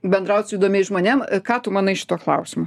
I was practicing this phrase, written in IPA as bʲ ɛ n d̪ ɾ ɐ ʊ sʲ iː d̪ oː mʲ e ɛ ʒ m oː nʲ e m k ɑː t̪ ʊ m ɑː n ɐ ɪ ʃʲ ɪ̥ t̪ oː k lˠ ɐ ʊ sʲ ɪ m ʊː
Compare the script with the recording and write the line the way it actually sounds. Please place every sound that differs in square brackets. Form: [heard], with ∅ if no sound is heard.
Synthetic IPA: bʲ ɛ n d̪ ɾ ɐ ʊ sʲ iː d̪ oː mʲ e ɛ ʒ m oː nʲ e m k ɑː t̪ ʊ m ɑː n ɐ ɪ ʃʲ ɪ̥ t̪ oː k lˠ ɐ ʊ sʲ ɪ m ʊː